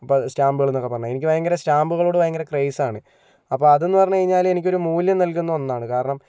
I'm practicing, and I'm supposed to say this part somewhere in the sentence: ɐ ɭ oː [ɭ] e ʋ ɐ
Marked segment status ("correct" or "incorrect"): incorrect